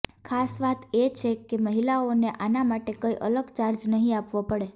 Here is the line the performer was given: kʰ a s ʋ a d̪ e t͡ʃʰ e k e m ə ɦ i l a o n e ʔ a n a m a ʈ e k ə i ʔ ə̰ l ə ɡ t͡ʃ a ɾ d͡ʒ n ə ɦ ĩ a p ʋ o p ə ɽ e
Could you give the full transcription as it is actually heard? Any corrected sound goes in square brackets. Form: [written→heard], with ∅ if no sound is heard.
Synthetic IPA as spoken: kʰ a s ʋ a [d̪→t̪] e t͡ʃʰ e k e m ə ɦ i l a o n e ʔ a n a m a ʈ e k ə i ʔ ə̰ l ə ɡ t͡ʃ a ɾ d͡ʒ n ə ɦ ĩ a p ʋ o p ə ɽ e